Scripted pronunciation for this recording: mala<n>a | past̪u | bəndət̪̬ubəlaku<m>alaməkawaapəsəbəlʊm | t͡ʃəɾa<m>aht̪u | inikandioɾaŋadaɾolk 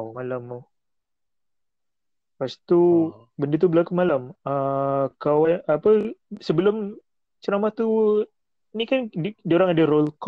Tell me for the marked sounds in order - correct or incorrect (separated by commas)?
incorrect, correct, correct